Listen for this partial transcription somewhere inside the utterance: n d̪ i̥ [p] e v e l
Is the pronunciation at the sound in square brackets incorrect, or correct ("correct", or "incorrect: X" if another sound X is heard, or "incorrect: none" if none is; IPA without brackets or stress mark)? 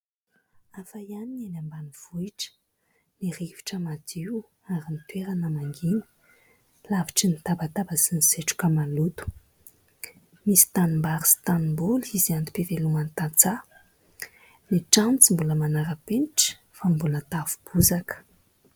correct